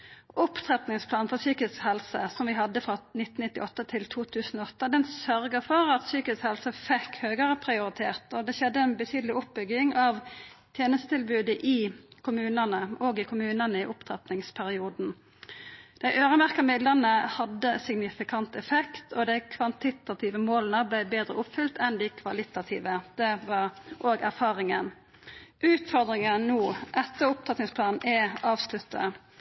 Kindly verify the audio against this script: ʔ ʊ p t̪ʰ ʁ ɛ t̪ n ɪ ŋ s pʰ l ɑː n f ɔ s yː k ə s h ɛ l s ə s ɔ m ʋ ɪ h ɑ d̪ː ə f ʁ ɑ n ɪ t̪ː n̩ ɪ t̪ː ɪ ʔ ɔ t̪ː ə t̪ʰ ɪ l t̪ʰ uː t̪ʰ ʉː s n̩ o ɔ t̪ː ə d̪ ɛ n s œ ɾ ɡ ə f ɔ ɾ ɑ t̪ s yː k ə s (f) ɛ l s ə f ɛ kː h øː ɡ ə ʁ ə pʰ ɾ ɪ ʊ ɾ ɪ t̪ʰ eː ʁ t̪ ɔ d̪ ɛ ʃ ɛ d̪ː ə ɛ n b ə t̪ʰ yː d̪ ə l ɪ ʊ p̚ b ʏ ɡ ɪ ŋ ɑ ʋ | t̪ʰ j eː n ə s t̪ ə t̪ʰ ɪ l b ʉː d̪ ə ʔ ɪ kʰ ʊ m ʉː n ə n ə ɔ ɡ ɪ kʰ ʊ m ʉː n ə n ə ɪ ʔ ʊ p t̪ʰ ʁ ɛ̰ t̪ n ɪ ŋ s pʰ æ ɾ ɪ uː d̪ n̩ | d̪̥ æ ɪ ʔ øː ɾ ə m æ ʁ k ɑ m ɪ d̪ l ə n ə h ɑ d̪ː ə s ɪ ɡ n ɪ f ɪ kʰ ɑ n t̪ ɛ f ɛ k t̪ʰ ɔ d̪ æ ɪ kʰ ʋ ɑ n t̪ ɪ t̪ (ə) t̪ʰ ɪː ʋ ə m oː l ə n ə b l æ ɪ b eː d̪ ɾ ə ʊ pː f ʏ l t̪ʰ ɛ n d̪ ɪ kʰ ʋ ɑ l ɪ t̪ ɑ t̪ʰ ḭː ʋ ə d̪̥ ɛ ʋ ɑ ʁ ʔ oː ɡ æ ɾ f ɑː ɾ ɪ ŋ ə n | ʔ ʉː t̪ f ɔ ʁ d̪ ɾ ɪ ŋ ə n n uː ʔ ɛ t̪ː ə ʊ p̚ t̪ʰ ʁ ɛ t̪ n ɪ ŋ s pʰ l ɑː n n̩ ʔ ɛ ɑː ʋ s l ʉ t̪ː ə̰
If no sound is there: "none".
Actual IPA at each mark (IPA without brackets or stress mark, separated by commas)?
h, ɑ